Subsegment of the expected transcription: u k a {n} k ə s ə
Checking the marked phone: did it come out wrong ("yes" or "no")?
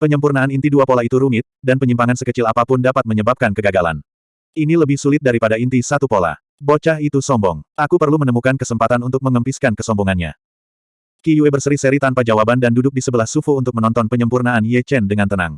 no